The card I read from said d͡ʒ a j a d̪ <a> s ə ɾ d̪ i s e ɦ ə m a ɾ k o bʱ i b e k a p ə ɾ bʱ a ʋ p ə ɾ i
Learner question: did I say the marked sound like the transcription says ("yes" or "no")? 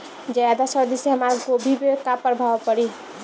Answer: yes